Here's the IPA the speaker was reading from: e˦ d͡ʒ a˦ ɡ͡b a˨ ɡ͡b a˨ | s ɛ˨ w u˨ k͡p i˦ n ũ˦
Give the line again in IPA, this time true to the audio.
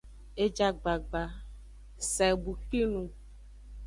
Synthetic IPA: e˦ d͡ʒ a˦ ɡ͡b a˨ ɡ͡b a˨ | s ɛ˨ b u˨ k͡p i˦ n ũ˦